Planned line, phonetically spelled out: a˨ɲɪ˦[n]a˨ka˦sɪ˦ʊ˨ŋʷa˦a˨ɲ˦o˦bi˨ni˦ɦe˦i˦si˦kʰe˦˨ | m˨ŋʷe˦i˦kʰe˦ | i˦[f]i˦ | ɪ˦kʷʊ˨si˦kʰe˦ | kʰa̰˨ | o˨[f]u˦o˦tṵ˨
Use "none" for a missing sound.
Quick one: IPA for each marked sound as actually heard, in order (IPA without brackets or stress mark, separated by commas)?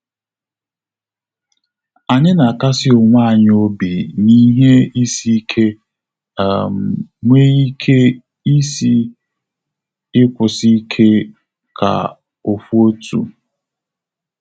n, s, f